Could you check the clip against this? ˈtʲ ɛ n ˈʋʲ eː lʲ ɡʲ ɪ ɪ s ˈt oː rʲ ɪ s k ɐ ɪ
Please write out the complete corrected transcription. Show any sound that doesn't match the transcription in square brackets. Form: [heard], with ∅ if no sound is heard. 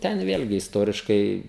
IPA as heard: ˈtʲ ɛ n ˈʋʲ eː lʲ ɡʲ ɪ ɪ s ˈt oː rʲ ɪ [ʃ] k ɐ ɪ